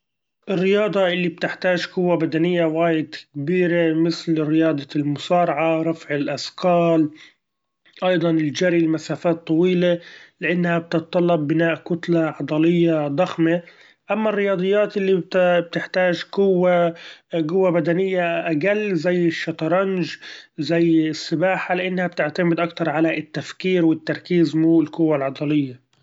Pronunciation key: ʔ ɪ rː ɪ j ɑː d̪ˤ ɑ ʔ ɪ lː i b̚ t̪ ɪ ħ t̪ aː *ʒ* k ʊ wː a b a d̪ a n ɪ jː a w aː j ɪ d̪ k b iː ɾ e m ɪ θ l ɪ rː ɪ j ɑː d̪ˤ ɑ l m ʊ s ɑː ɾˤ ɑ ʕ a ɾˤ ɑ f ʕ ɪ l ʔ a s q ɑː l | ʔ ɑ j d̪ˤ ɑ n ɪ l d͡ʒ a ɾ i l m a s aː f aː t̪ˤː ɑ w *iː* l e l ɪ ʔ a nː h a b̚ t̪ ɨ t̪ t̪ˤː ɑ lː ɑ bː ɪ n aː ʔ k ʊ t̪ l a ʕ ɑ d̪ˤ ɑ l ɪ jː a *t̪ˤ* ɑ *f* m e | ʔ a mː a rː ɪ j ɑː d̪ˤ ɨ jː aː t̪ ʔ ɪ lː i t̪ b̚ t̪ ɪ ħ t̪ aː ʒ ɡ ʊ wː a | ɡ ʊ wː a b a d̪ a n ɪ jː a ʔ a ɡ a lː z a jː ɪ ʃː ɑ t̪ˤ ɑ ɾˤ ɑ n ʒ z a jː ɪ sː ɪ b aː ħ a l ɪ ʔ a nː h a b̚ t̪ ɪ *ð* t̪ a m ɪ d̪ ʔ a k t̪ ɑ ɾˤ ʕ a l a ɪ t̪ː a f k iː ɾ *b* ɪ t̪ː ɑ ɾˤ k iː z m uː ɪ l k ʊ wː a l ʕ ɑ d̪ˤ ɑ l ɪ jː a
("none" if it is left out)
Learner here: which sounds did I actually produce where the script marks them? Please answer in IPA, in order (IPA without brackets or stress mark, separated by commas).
ʒ, iː, d̪ˤ, x, ʕ, w